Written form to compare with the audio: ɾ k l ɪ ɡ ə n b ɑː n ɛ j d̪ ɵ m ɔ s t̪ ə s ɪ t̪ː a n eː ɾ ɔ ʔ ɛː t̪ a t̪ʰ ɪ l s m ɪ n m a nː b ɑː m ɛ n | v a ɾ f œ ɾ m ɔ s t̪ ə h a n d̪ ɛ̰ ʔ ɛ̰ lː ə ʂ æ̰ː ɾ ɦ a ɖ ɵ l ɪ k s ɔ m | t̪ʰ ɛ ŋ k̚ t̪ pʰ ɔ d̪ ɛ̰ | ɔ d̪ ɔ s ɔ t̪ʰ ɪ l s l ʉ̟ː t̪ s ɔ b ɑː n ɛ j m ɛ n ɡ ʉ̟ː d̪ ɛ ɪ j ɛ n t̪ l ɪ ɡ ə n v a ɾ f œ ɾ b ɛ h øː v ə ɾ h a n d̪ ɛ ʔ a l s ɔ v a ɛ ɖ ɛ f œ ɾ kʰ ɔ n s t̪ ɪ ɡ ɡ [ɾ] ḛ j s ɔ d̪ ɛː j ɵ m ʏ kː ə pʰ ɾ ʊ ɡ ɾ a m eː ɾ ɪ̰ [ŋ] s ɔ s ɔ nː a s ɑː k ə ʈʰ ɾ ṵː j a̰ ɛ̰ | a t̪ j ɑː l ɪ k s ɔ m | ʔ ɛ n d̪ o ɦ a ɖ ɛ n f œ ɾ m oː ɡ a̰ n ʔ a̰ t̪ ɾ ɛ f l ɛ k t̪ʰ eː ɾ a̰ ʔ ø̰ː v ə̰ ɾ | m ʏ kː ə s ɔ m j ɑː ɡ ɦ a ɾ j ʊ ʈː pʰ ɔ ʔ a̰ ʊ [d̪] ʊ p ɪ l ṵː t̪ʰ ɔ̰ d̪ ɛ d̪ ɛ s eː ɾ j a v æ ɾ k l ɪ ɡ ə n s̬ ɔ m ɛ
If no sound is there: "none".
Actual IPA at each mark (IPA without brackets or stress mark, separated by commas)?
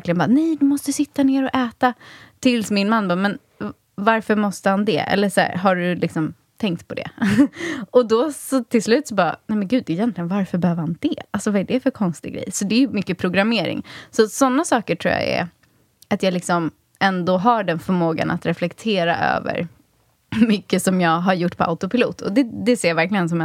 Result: ɾ, ŋ, t̪